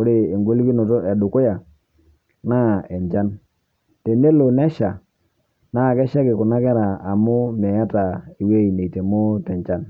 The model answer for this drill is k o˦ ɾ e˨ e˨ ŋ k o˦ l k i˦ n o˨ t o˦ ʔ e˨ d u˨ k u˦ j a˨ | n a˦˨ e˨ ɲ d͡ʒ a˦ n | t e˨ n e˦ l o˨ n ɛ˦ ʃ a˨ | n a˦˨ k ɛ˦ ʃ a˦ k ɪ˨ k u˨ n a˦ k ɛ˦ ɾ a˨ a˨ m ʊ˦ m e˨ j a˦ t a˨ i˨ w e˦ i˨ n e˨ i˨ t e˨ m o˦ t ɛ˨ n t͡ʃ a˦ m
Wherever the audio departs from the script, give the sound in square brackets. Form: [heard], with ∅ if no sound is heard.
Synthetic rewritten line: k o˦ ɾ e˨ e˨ ŋ [ɡ] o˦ l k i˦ n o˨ t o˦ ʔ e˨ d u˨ k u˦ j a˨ | n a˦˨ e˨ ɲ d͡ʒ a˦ n | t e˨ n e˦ l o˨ n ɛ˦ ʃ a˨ | n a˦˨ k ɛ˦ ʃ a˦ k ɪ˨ k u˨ n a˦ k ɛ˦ ɾ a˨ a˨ m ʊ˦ m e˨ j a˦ t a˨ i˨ w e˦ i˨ n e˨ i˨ t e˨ m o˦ t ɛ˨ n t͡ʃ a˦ [n]